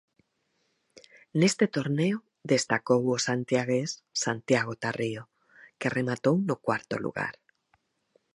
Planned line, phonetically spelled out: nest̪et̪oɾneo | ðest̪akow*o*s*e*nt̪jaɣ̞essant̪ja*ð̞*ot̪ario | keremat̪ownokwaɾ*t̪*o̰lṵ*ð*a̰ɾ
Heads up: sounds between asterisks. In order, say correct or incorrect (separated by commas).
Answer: correct, incorrect, incorrect, correct, incorrect